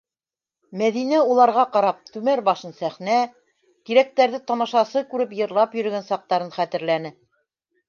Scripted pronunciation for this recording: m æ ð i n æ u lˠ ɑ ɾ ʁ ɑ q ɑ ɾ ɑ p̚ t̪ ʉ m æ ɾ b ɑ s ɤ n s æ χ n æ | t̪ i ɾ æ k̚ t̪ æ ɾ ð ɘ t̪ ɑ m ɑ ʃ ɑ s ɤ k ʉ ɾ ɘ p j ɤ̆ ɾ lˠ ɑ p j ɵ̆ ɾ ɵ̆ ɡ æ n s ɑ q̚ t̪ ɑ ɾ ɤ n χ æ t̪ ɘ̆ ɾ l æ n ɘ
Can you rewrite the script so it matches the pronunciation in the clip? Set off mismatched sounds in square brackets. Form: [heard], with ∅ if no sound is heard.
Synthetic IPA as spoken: m æ ð i n æ u lˠ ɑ ɾ ʁ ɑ q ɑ ɾ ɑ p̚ t̪ ʉ m æ ɾ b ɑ [ʃ] ɤ n s æ χ n æ | t̪ i ɾ æ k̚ t̪ æ ɾ ð ɘ t̪ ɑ m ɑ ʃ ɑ s ɤ k ʉ ɾ ɘ p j ɤ̆ ɾ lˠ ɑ p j ɵ̆ ɾ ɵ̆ ɡ æ n s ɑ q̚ t̪ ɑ ɾ ɤ n χ æ t̪ ɘ̆ ɾ l æ n ɘ